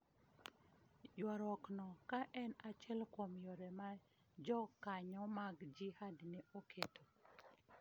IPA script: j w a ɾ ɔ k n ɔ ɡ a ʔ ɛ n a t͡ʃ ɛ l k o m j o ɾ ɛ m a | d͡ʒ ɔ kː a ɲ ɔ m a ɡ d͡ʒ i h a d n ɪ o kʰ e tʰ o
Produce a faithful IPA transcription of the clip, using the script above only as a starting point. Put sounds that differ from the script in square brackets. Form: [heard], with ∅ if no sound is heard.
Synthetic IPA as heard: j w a ɾ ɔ k n ɔ [k] a ʔ ɛ n a t͡ʃ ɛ l k o m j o ɾ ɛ m a | d͡ʒ ɔ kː a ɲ ɔ m a ɡ d͡ʒ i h a d n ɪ o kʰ e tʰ o